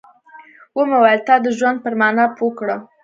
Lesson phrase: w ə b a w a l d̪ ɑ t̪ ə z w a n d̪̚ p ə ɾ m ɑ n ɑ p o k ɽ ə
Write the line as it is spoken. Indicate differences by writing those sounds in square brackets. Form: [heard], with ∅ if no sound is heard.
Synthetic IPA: w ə [m] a w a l [t̪] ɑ [d̪] ə [ʒ] w a n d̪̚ p ə ɾ m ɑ n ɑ p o k ɽ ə